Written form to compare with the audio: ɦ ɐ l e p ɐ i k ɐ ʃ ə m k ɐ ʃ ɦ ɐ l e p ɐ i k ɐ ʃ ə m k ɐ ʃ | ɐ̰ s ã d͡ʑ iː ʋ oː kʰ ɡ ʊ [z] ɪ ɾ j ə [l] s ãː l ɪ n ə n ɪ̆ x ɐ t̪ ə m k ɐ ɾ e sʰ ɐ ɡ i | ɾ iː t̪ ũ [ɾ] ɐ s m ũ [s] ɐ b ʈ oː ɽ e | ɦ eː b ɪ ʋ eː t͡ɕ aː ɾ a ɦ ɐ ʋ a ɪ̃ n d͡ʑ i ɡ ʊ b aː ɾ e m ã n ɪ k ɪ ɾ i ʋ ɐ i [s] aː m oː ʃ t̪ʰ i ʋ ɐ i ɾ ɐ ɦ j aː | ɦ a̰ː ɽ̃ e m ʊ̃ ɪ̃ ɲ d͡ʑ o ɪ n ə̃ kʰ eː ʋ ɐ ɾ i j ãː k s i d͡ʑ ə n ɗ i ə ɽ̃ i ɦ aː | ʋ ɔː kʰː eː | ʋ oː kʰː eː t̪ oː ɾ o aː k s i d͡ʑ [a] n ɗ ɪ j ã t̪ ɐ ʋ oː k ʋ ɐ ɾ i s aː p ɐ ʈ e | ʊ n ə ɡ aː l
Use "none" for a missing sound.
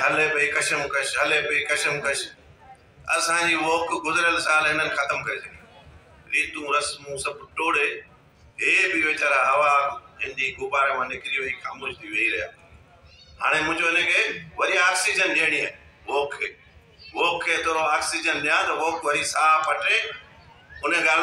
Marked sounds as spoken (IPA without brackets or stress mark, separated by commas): z, l, ɾ, s, x, ə